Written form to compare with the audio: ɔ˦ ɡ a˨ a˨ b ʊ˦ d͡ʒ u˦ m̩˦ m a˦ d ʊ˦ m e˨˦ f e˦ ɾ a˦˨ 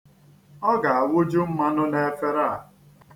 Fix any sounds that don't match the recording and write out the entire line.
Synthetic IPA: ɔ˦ ɡ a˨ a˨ w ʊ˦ d͡ʒ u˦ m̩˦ m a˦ n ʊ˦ n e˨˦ f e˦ ɾ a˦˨